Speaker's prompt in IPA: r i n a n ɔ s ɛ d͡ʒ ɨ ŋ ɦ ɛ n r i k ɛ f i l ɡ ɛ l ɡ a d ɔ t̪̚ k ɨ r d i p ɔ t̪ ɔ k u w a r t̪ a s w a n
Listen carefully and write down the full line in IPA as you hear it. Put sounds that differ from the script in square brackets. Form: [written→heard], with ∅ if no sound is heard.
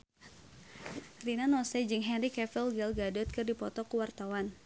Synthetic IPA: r i n a n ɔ s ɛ d͡ʒ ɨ ŋ ɦ ɛ n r i k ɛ f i l ɡ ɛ l ɡ a d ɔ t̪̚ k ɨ r d i p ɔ t̪ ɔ k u w a r t̪ a [s→∅] w a n